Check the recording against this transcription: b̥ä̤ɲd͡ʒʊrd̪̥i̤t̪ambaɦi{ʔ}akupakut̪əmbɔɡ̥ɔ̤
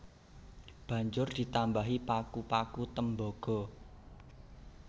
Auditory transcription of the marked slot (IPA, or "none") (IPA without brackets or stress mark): p